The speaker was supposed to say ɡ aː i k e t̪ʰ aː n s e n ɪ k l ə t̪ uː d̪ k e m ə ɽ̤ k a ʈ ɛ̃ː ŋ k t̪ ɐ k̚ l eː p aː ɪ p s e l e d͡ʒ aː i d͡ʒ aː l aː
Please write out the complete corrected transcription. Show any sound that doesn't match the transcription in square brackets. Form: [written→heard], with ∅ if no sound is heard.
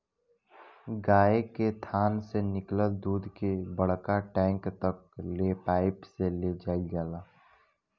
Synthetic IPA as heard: ɡ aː [i→e] k e t̪ʰ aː n s e n ɪ k l ə [t̪→d̪] uː d̪ k e [m→b] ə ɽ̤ k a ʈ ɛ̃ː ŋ k t̪ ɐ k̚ l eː p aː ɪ p s e l e d͡ʒ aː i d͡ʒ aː l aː